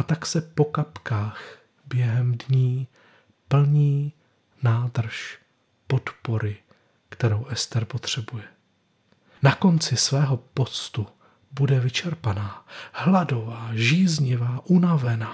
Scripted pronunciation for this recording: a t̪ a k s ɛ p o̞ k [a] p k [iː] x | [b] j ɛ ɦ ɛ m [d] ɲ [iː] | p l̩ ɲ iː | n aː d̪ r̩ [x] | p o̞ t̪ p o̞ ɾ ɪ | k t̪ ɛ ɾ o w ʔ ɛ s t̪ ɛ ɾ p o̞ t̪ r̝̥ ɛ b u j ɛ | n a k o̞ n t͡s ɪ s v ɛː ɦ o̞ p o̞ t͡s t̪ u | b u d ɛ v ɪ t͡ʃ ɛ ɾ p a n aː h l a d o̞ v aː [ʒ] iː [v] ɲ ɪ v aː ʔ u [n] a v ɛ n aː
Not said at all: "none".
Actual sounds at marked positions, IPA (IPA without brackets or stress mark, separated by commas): a, aː, b, d, iː, ʃ, ʒ, z, n